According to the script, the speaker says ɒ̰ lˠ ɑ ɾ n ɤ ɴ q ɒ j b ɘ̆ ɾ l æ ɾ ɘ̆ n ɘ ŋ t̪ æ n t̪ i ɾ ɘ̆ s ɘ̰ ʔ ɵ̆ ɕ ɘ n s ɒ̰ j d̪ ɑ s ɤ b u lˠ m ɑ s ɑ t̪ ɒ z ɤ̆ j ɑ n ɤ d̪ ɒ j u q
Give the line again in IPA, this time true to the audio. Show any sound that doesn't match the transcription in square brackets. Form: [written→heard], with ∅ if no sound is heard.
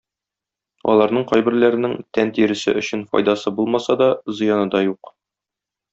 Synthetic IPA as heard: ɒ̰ lˠ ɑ ɾ n ɤ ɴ q ɒ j b ɘ̆ ɾ l æ ɾ ɘ̆ n ɘ ŋ t̪ æ n t̪ i ɾ ɘ̆ s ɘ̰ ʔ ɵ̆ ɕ ɘ n [s→f] ɒ̰ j d̪ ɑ s ɤ b u lˠ m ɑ s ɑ [t̪→d̪] ɒ z ɤ̆ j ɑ n ɤ d̪ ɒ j u q